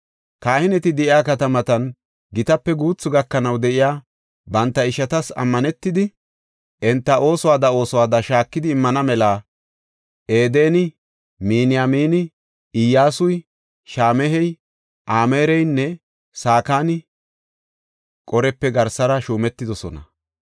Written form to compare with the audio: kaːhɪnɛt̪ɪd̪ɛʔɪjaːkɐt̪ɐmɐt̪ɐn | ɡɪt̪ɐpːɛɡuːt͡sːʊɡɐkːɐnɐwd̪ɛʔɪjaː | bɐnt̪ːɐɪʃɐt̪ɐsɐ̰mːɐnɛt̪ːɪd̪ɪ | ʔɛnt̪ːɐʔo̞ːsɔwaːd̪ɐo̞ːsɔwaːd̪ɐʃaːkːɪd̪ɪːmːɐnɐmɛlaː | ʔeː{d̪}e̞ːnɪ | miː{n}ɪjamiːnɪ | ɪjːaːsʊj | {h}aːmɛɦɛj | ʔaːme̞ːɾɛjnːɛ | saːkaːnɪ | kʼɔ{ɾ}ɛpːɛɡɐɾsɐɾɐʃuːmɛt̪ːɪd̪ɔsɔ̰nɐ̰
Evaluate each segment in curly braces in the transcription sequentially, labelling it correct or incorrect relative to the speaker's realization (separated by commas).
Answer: correct, correct, incorrect, correct